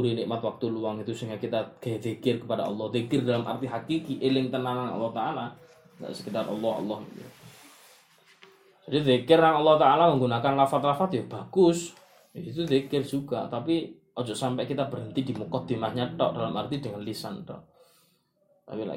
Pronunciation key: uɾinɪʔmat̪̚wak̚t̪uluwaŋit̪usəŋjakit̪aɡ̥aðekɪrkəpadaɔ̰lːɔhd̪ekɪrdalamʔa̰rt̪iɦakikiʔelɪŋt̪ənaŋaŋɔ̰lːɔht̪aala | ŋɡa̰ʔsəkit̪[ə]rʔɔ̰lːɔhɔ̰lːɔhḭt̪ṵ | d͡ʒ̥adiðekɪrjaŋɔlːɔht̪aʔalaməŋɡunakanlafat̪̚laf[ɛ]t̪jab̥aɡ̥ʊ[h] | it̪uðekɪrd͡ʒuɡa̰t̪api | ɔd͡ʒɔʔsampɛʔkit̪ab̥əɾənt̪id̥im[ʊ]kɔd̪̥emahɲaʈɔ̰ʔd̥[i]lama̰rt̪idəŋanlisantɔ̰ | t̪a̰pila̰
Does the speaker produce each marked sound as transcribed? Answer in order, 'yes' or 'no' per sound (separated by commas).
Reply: no, no, no, no, no